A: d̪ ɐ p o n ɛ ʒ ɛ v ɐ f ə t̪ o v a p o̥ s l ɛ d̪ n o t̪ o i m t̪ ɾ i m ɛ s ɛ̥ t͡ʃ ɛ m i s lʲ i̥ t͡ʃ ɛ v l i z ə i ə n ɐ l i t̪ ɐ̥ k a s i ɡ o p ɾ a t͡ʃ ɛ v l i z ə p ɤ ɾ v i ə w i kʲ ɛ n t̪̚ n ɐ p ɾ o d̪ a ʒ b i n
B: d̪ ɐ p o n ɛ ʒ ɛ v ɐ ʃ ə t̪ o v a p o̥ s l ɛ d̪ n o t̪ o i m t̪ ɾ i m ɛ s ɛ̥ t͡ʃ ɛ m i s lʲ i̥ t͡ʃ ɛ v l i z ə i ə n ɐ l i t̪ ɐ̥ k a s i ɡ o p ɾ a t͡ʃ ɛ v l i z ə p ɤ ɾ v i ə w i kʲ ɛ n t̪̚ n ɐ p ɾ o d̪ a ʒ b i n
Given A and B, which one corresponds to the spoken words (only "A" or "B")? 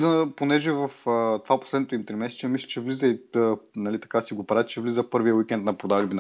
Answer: A